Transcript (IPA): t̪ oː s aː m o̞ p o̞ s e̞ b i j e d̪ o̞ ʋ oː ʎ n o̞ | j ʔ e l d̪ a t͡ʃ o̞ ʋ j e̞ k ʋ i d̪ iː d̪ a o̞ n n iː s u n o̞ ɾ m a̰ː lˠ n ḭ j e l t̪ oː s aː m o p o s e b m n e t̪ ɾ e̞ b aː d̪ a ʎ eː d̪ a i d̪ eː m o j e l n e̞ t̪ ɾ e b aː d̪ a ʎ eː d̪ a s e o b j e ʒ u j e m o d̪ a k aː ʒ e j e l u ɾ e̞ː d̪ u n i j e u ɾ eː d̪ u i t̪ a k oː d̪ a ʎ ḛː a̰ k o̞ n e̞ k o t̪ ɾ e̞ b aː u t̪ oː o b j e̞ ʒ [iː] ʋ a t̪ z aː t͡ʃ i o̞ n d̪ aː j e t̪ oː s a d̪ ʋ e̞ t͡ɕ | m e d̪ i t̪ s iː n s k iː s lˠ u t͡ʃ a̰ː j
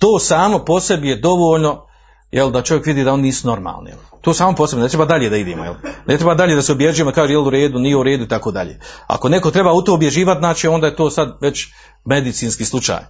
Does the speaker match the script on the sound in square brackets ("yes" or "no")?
yes